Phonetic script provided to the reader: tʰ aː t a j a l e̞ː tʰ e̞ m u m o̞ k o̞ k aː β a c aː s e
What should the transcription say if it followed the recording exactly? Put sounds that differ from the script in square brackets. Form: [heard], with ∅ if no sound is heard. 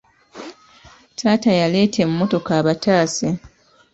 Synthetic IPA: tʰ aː t a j a l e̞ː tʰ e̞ m u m o̞ [t] o̞ k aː β a [t] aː s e